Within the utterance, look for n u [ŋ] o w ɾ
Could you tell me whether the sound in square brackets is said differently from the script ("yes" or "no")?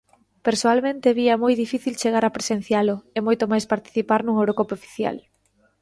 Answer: no